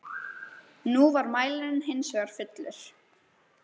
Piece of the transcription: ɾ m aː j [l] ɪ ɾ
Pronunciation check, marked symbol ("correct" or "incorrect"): correct